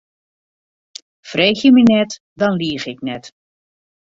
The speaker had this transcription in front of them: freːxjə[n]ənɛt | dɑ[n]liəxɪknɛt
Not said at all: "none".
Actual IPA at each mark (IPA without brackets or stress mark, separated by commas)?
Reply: m, n